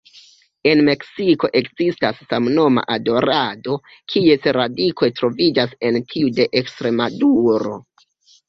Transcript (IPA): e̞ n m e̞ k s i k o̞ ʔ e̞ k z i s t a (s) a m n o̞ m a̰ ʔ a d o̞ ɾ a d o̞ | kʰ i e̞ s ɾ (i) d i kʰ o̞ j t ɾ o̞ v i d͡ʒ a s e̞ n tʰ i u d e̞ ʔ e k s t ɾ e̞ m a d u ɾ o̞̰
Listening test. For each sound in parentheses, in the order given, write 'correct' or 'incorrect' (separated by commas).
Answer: incorrect, incorrect